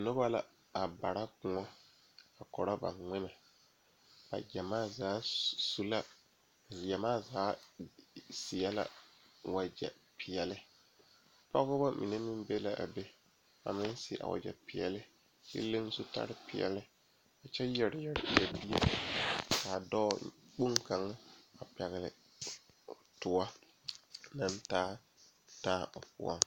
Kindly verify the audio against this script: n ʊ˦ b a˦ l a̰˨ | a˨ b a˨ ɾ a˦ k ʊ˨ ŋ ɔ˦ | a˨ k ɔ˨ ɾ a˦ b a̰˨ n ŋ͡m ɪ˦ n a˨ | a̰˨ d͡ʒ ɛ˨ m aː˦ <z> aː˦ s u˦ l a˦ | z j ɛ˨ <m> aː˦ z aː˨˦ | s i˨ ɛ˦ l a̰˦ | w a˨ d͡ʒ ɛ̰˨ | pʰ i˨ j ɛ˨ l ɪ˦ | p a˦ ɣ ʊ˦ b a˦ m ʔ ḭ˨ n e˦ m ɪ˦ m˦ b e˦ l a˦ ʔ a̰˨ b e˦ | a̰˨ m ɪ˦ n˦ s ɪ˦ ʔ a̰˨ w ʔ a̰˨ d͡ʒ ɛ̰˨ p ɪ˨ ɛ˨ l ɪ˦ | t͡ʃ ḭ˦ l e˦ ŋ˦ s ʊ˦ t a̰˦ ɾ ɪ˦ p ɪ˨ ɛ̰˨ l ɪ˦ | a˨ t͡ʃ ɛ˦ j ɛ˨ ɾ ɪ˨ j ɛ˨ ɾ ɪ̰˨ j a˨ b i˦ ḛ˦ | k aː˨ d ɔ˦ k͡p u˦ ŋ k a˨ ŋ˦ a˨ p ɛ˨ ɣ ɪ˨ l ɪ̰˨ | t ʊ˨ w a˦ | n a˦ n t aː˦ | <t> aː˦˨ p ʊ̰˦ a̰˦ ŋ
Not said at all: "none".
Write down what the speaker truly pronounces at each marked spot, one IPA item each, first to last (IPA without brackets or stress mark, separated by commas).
z, m, t